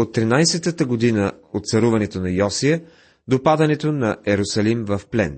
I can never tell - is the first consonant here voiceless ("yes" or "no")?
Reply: yes